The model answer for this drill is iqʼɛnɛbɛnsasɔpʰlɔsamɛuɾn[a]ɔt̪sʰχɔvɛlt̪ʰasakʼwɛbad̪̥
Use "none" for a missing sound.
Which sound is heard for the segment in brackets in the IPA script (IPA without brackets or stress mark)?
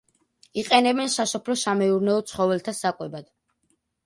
ɛ